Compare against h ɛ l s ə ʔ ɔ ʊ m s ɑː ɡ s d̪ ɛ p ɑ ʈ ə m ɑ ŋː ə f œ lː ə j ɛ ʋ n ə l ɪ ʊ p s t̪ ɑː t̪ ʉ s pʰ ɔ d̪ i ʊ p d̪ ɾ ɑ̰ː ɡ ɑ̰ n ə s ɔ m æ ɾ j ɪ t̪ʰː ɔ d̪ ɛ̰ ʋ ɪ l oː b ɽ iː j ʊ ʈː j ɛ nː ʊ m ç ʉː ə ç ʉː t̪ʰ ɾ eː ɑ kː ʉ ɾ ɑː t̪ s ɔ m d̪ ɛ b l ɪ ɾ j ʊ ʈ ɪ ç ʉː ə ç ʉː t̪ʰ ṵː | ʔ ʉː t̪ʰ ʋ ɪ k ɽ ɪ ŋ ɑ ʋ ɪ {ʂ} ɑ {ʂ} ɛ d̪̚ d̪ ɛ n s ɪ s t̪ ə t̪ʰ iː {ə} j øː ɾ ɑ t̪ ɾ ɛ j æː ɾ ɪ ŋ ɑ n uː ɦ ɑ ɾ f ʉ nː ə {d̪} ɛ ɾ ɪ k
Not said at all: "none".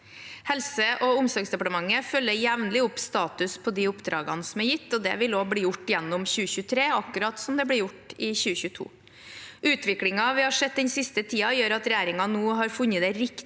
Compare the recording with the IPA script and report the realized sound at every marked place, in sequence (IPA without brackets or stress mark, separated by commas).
h, ʂ, ɑ, d̪